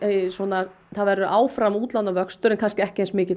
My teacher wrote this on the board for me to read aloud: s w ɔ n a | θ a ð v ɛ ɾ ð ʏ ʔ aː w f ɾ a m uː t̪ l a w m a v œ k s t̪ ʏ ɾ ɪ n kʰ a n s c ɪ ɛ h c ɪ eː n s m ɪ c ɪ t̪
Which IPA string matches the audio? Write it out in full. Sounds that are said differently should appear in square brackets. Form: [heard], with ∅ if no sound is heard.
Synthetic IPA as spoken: s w ɔ n a | θ a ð v ɛ ɾ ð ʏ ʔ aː w f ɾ a m uː t̪ l a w [n] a v œ k s t̪ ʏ ɾ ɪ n kʰ a n s c ɪ ɛ h c ɪ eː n s m [ɪː] c ɪ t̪